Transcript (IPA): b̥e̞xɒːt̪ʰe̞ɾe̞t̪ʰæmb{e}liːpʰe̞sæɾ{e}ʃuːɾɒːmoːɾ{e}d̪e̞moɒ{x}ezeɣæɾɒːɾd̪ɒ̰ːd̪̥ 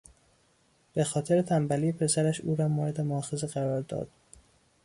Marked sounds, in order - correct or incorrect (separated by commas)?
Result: incorrect, incorrect, correct, correct